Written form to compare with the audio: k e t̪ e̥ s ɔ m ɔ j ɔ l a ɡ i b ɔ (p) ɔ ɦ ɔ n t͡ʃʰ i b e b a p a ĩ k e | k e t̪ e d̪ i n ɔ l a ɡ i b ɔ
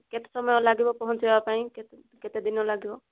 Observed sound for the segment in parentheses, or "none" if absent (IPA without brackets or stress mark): p